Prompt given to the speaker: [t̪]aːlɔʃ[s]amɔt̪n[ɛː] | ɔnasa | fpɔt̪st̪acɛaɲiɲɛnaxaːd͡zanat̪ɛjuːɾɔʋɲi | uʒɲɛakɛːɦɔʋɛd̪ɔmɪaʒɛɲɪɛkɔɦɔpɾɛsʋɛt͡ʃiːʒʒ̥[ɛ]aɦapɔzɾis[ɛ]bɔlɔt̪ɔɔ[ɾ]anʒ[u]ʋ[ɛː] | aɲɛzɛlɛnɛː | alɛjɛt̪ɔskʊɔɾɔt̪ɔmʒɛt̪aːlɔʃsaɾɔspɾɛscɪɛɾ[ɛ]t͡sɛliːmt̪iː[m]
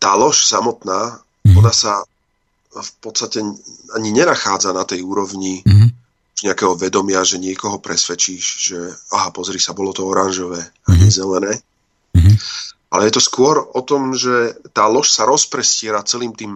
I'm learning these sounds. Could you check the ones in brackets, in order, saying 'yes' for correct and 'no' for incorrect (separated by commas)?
yes, yes, no, yes, no, yes, no, yes, no, yes